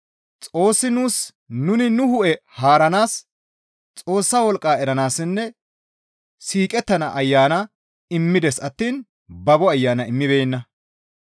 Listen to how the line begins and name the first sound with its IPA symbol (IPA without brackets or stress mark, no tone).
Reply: t͡sʼ